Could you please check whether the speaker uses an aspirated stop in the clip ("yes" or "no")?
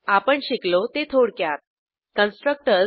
yes